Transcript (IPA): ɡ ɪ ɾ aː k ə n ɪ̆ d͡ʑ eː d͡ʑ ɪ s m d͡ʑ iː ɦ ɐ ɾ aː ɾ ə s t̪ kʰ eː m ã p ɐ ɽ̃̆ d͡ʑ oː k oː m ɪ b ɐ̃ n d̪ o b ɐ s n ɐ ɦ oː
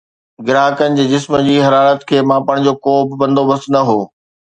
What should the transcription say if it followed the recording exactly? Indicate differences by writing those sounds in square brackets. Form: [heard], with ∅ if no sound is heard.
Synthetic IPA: ɡ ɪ ɾ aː k ə n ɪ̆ d͡ʑ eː d͡ʑ ɪ s m d͡ʑ iː ɦ ɐ ɾ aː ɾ ə [∅] t̪ kʰ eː m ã p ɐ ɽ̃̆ d͡ʑ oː k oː [b] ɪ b ɐ̃ n d̪ o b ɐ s n ɐ ɦ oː